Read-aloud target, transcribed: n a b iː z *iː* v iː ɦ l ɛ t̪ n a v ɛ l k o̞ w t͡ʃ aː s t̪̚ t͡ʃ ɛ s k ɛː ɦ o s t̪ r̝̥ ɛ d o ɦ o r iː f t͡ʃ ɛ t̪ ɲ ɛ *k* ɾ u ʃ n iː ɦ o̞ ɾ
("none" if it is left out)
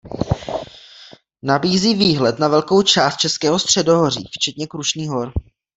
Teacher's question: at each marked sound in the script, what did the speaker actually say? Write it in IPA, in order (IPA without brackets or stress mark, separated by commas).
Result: iː, k